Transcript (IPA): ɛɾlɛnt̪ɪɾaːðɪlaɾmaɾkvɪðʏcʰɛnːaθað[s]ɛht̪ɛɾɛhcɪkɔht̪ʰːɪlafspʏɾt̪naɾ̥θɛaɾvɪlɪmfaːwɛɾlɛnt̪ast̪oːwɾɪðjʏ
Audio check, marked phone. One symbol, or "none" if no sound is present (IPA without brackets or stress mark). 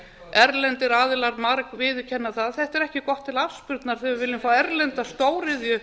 θ